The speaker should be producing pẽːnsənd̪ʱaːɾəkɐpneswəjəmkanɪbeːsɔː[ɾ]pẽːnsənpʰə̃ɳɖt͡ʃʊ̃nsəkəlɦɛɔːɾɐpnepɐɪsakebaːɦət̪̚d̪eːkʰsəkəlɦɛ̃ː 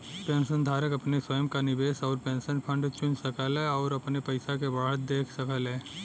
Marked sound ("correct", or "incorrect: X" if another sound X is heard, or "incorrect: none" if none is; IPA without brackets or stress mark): correct